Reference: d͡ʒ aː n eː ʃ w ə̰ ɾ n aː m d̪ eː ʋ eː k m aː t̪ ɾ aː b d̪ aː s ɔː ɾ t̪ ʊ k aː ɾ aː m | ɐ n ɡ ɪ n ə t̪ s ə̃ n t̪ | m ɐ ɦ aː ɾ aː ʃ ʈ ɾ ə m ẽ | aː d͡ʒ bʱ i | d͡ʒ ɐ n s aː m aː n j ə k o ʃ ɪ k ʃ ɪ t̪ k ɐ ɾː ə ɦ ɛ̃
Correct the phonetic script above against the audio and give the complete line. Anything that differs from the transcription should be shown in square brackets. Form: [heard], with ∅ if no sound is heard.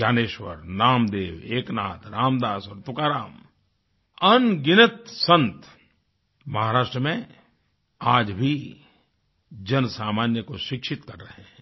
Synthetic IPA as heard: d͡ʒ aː n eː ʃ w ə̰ ɾ n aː m d̪ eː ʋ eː k [n] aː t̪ ɾ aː [m] d̪ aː s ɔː ɾ t̪ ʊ k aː ɾ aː m | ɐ n ɡ ɪ n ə t̪ s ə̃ n t̪ | m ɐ ɦ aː ɾ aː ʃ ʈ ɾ ə m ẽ | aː d͡ʒ bʱ i | d͡ʒ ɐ n s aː m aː n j ə k o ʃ ɪ k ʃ ɪ t̪ k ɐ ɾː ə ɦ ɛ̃